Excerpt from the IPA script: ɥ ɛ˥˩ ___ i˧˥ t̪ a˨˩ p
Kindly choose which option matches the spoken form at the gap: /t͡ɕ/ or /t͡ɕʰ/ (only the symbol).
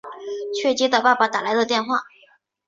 t͡ɕ